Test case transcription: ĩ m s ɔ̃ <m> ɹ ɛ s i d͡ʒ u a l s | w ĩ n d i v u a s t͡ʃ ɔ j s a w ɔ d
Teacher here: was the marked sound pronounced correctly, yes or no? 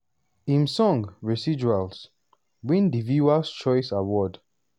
no